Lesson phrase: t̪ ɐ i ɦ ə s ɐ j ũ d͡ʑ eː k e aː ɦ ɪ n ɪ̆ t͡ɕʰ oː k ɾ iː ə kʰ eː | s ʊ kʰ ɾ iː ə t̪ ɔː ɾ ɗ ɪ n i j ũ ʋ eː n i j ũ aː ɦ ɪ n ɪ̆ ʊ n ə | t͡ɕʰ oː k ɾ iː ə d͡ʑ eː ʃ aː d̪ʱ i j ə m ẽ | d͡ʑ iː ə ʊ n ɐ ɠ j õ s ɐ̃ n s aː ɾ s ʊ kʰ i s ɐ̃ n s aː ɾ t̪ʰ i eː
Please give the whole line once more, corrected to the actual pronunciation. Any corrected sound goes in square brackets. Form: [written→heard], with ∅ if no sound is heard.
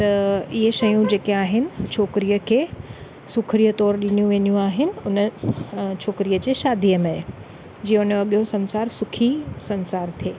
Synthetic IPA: t̪ ɐ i ɦ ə [s→ʃ] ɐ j ũ d͡ʑ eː k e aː ɦ ɪ n ɪ̆ t͡ɕʰ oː k ɾ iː ə kʰ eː | s ʊ kʰ ɾ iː ə t̪ ɔː ɾ ɗ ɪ n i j ũ ʋ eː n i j ũ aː ɦ ɪ n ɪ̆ ʊ n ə | t͡ɕʰ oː k ɾ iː ə d͡ʑ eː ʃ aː d̪ʱ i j ə m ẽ | d͡ʑ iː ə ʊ n ɐ ɠ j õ s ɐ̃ n s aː ɾ s ʊ kʰ i s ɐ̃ n s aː ɾ t̪ʰ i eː